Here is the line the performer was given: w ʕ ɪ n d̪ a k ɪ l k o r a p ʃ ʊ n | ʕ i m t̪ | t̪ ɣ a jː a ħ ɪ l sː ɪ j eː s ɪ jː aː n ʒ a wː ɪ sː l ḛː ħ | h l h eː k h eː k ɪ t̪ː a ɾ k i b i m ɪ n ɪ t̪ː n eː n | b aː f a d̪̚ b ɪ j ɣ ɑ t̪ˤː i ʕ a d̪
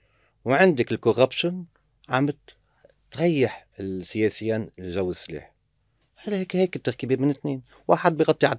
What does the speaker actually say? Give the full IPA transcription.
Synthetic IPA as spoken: w ʕ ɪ n d̪ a k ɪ l k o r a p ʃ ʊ n | ʕ a m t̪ | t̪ ɣ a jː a ħ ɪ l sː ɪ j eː s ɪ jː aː n ʒ a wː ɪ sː l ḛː ħ | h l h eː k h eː k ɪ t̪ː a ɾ k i b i m ɪ n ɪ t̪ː n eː n | w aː ħ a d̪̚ b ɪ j ɣ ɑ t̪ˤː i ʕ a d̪